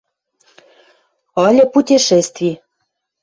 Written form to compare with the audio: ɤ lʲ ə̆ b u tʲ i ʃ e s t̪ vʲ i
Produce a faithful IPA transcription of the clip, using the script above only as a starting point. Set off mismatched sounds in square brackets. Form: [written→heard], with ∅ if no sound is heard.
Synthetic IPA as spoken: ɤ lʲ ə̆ [b→p] u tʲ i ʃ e s t̪ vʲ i